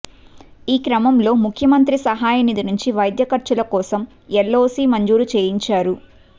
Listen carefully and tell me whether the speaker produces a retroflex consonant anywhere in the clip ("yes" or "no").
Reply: no